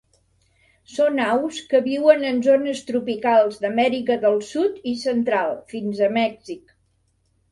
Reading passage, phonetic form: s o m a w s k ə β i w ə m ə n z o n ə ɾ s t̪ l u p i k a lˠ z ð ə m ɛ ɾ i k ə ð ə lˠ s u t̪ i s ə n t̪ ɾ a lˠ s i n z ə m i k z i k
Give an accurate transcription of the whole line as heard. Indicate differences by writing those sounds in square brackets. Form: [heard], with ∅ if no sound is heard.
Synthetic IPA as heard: s o [n] a w s k ə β i w ə [n] ə n z o n ə [∅] s t̪ [ɾ] u p i k a lˠ z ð ə m ɛ ɾ i k ə ð ə lˠ s u t̪ i s ə n t̪ ɾ a lˠ [f] i n z ə m [ɛ] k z i k